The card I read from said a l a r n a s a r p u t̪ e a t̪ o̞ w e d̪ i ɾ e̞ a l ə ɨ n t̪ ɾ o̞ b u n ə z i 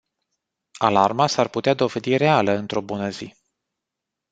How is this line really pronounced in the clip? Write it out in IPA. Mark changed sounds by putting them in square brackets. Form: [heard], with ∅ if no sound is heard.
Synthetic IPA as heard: a l a r [m] a s a r p u t̪ e a [d̪] o̞ [v] e d̪ i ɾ e̞ a l ə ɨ n t̪ ɾ o̞ b u n ə z i